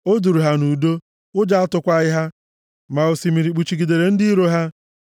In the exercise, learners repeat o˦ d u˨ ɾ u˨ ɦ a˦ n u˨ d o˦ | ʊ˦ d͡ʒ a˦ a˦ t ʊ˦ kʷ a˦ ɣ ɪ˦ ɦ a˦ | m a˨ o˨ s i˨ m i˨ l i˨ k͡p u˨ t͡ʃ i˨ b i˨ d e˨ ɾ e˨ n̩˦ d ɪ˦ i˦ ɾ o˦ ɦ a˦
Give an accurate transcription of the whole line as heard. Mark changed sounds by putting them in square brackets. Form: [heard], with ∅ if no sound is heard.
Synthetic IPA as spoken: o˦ d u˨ ɾ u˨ ɦ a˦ n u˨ d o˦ | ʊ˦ d͡ʒ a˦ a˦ t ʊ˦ kʷ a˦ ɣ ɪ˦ ɦ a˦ | m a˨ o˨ s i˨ m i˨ [ɾ] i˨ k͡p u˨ t͡ʃ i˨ [ɡ] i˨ d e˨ ɾ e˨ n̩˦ d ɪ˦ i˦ ɾ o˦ ɦ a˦